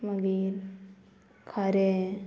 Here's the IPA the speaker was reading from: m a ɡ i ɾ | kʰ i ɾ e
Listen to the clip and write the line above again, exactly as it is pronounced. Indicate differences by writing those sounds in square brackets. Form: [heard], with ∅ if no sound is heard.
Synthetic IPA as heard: m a ɡ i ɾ | kʰ [a] ɾ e